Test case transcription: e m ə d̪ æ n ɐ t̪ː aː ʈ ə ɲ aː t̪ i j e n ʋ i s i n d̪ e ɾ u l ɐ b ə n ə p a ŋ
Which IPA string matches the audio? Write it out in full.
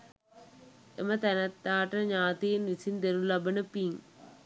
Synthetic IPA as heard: e m ə t̪ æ n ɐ t̪ː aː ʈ ə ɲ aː t̪ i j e n ʋ i s i n d̪ e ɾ u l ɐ b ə n ə p i ŋ